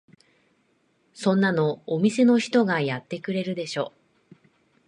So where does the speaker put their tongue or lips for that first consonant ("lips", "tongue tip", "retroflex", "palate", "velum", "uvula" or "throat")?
tongue tip